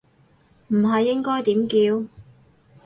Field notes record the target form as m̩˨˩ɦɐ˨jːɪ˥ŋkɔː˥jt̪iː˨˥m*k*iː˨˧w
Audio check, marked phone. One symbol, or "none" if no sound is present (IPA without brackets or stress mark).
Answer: k